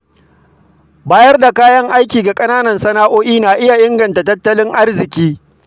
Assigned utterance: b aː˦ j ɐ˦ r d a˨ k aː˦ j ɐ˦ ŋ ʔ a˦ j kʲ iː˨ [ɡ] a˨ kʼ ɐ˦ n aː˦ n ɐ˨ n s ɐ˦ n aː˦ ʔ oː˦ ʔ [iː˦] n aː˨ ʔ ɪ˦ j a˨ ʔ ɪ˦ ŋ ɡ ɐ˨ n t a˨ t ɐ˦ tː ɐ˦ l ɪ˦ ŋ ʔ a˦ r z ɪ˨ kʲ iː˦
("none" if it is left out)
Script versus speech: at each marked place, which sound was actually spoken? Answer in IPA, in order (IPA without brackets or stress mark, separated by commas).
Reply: ɡ, iː˦